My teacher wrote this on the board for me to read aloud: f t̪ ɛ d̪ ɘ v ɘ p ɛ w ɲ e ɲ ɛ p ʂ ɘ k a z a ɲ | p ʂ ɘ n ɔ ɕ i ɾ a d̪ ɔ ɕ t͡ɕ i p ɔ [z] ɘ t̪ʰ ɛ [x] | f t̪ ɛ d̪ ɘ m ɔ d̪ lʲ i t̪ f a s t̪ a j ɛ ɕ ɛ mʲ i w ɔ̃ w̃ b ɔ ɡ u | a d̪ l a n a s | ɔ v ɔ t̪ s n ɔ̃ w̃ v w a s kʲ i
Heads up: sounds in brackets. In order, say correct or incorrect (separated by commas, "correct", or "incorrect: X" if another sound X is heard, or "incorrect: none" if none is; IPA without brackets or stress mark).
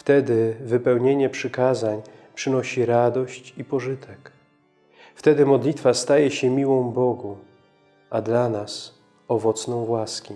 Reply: incorrect: ʐ, incorrect: k